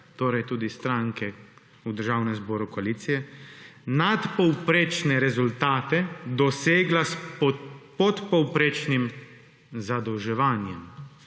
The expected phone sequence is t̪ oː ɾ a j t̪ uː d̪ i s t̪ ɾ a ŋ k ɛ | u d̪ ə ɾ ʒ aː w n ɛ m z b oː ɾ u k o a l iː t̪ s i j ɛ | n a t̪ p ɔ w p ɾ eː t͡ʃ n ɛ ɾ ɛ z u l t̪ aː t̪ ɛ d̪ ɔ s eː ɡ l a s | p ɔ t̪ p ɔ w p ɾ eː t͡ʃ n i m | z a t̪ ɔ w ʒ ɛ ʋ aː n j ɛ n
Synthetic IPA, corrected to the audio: t̪ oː ɾ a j t̪ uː d̪ i s t̪ ɾ a ŋ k ɛ | u d̪ ə ɾ ʒ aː w n ɛ m z b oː ɾ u k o a l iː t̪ s i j ɛ | n a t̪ p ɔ w p ɾ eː t͡ʃ n ɛ ɾ ɛ z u l t̪ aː t̪ ɛ d̪ ɔ s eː ɡ l a s | p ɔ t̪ p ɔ w p ɾ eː t͡ʃ n i m | z a d̪ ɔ w ʒ ɛ ʋ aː n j ɛ m